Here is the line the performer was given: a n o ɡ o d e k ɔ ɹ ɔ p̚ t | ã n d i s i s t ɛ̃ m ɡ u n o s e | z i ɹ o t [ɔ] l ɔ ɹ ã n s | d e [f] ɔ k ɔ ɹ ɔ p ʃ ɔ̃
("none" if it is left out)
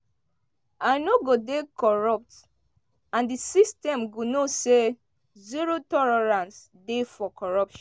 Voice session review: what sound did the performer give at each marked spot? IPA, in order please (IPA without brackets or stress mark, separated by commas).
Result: ɔ, f